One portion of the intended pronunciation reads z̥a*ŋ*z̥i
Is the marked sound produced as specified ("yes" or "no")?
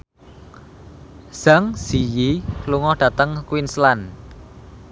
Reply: yes